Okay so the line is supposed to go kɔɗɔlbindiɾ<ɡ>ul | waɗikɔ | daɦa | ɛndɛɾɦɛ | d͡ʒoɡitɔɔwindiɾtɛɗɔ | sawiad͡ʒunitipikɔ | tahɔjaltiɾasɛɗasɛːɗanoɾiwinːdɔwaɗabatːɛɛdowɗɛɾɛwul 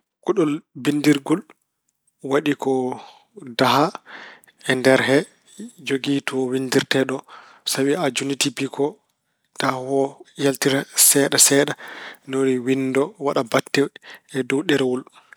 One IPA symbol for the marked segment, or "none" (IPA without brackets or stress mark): ɡ